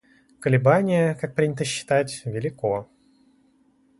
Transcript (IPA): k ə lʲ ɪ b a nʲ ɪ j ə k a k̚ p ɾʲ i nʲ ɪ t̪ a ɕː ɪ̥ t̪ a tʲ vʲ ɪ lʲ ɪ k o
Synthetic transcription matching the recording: k ə lʲ ɪ b a nʲ ɪ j ə k a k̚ p ɾʲ i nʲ ɪ t̪ ə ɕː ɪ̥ t̪ a tʲ vʲ ɪ lʲ ɪ k o

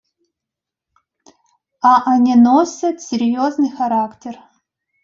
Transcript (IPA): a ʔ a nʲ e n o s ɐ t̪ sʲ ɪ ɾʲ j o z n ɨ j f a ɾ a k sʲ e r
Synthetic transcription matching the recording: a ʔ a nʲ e n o s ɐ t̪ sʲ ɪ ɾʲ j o z n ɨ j x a ɾ a k tʲ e r

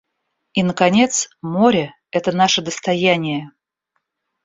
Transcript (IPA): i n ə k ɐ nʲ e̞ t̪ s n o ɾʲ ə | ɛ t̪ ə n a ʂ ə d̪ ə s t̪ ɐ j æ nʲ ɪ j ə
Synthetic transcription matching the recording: i n ə k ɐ nʲ e̞ t̪ s m o ɾʲ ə | ɛ t̪ ə n a ʂ ə d̪ ə s t̪ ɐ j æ nʲ ɪ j ə

